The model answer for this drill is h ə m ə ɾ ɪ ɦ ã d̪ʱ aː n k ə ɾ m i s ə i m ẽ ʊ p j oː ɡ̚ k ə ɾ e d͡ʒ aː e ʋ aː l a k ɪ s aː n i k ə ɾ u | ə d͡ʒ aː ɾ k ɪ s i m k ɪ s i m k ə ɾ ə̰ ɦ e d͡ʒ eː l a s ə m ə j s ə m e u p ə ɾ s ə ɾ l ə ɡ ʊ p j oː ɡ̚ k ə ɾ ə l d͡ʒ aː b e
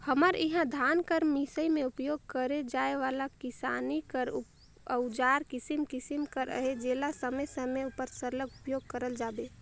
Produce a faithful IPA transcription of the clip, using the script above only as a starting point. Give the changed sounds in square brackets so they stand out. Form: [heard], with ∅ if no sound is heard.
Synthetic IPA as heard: h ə m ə ɾ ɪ ɦ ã d̪ʱ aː n k ə ɾ m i s ə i m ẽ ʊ p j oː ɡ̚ k ə ɾ e d͡ʒ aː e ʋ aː l a k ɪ s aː n i k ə ɾ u | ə d͡ʒ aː ɾ k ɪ s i m k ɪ s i m k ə ɾ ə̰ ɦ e d͡ʒ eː l a s ə m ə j s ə m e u p ə ɾ s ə ɾ l ə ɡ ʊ p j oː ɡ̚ k ə ɾ ə l d͡ʒ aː b e